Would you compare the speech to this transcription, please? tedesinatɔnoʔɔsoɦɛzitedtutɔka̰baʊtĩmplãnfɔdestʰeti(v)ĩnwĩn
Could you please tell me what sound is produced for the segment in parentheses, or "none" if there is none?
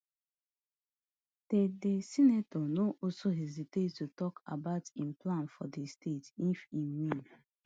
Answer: f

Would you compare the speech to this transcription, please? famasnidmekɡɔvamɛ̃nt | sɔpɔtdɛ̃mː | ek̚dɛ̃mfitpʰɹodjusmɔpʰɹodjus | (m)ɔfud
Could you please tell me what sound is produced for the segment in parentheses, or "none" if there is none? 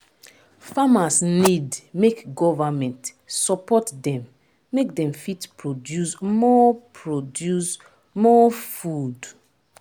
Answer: m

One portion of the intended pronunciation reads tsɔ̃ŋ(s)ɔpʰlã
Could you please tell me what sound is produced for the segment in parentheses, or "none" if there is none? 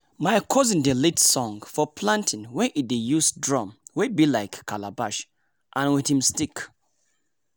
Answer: f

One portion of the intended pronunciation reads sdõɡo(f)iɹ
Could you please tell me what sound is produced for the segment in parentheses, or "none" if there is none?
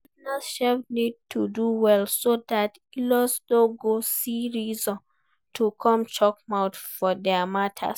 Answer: s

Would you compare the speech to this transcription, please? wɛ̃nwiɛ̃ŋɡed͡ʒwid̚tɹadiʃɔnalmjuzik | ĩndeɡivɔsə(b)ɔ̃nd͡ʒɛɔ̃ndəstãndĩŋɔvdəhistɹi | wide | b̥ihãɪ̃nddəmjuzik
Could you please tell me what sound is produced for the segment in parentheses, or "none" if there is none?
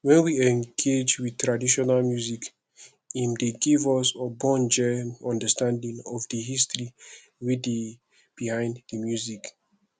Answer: b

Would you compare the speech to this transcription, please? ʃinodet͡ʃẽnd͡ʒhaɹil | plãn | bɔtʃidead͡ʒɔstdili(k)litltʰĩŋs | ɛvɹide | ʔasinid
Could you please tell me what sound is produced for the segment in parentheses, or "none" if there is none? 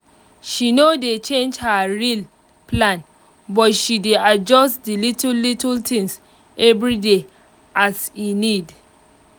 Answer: t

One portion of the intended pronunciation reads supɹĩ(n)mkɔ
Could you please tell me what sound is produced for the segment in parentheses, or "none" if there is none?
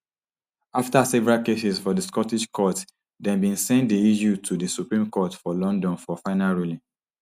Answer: none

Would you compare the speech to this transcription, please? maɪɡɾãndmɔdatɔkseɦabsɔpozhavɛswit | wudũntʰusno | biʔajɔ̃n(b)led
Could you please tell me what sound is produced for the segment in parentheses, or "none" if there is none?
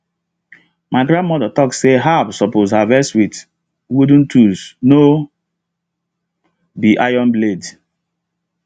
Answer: b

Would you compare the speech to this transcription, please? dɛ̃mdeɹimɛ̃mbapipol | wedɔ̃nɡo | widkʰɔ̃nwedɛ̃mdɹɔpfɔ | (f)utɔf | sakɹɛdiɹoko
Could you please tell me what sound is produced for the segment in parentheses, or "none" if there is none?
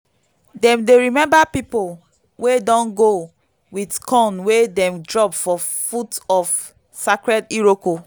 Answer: f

